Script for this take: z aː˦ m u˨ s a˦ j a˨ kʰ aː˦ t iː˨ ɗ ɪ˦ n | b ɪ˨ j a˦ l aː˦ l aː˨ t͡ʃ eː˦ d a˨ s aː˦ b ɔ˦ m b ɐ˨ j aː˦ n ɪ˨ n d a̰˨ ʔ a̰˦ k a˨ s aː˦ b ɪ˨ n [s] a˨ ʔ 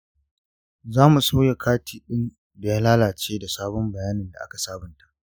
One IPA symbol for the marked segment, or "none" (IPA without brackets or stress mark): t